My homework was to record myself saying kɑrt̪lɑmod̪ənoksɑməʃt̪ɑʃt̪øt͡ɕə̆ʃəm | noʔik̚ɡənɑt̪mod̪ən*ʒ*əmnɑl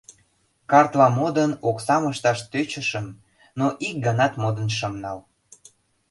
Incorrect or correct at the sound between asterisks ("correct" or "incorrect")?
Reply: incorrect